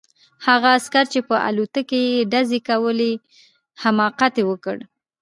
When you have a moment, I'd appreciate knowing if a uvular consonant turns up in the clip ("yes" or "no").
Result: yes